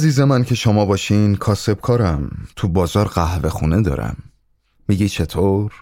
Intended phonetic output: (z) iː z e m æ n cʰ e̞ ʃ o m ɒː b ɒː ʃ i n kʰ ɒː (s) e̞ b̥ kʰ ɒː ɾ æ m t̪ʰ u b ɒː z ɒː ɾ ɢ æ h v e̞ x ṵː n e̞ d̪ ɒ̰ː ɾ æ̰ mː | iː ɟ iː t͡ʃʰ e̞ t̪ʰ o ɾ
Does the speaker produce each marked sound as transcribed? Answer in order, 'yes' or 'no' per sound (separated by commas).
yes, yes